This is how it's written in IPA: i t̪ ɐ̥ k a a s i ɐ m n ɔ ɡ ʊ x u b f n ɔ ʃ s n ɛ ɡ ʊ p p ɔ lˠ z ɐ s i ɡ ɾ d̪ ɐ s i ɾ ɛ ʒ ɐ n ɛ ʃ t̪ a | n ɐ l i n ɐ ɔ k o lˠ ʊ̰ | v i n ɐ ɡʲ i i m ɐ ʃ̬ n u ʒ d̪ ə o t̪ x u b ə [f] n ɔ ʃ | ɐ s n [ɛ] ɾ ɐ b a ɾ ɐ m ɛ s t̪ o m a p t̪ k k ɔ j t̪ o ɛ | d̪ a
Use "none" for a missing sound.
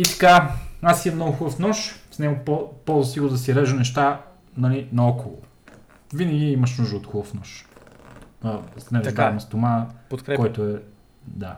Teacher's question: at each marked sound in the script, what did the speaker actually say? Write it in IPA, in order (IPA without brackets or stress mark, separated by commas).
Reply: f, ɛ